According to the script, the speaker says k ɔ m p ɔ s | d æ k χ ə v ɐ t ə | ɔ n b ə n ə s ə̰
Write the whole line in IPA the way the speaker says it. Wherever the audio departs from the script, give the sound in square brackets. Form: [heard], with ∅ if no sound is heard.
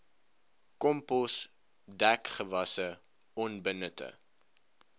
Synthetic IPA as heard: k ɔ m p ɔ s | d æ k χ ə v ɐ [s] ə | ɔ n b ə n ə [t] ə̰